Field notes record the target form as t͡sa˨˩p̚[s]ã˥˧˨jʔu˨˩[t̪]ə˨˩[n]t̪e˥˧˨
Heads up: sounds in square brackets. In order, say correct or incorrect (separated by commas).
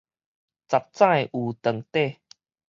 incorrect, correct, incorrect